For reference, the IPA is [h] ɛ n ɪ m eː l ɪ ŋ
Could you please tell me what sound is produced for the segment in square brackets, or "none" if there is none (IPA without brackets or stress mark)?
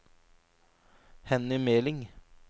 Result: h